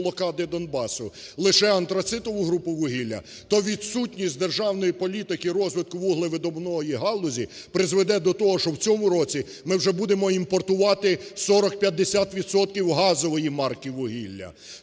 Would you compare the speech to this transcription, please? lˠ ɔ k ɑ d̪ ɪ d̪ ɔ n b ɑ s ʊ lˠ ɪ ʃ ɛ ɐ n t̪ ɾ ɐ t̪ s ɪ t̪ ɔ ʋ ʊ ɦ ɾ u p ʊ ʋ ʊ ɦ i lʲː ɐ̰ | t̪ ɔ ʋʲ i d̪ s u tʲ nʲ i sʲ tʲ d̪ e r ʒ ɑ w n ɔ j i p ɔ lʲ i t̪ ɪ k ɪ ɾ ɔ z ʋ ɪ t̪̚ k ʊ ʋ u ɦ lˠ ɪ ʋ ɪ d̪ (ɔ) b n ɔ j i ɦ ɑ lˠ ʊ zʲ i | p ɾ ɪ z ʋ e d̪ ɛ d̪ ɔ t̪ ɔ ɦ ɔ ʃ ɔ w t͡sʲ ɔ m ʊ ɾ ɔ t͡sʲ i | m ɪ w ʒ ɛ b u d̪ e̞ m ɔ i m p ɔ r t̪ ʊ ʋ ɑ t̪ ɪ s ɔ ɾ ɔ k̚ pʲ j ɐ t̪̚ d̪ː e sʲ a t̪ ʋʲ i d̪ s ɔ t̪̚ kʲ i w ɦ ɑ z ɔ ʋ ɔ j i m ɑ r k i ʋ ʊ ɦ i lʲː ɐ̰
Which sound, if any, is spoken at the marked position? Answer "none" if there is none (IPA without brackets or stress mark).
ɔ